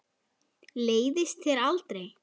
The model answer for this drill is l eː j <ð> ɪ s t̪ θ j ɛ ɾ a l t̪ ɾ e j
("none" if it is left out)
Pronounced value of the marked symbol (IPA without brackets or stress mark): ð